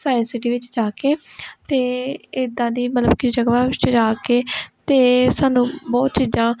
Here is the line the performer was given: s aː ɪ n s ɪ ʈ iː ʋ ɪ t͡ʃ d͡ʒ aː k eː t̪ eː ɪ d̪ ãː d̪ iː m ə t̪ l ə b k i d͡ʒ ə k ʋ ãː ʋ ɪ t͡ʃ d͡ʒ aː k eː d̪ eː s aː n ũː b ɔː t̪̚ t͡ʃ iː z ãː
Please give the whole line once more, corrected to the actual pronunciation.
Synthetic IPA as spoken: s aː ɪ n s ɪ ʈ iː ʋ ɪ t͡ʃ d͡ʒ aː k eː t̪ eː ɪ d̪ ãː d̪ iː m ə t̪ l ə b k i d͡ʒ ə ɡ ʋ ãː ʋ ɪ t͡ʃ d͡ʒ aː k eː t̪ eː s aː n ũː b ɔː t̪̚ t͡ʃ iː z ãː